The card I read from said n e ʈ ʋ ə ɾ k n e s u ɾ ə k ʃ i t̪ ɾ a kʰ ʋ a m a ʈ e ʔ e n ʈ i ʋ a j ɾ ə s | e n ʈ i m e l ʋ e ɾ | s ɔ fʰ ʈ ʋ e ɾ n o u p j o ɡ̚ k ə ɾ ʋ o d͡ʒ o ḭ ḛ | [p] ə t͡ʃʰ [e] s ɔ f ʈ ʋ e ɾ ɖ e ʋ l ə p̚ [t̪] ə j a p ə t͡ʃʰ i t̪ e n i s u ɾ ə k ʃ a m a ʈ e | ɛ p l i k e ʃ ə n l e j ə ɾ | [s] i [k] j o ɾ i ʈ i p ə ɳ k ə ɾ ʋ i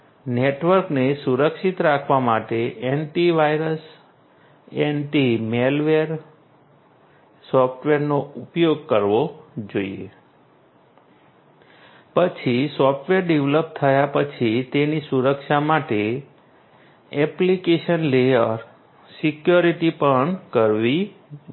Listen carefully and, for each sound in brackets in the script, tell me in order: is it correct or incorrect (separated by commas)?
correct, incorrect, incorrect, correct, correct